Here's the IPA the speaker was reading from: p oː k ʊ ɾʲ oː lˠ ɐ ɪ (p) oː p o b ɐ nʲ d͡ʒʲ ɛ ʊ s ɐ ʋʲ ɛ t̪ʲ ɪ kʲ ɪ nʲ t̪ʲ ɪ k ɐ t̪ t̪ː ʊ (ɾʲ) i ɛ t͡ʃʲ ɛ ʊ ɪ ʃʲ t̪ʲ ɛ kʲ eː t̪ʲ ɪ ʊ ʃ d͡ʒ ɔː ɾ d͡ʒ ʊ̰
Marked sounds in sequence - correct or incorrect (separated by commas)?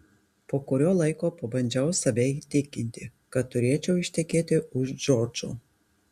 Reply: incorrect, correct